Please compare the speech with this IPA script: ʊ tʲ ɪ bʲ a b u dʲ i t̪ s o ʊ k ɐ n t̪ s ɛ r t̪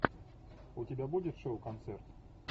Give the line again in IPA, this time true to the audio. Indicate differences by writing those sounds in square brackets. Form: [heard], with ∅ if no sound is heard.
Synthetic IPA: ʊ tʲ ɪ bʲ a b u dʲ [ɪ] t̪ [ʂ] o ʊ k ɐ n t̪ s ɛ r t̪

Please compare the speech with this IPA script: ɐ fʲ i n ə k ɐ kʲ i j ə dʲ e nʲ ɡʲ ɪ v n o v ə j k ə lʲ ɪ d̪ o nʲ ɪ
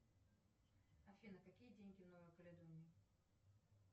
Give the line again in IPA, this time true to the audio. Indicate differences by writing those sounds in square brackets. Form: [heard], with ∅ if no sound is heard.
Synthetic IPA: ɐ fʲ i n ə k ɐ kʲ i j ə dʲ e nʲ ɡʲ ɪ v n o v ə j k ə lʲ ɪ d̪ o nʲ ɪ

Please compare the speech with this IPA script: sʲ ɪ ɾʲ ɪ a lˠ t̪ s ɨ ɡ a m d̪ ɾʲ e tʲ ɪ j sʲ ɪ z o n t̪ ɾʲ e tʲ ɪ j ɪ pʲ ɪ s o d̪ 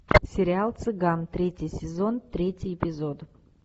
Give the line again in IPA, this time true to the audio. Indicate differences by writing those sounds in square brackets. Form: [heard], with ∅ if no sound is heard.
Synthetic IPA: sʲ ɪ ɾʲ ɪ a lˠ t̪ s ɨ ɡ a m [t̪] ɾʲ e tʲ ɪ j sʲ ɪ z o n t̪ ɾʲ e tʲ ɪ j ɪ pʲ ɪ [z] o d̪

